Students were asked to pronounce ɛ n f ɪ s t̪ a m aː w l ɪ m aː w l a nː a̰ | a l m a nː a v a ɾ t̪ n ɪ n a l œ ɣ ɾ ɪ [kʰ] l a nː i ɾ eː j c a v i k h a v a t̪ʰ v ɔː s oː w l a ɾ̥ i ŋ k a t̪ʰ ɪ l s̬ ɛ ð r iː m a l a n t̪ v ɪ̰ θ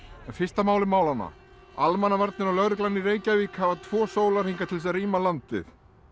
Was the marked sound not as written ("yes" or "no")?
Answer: yes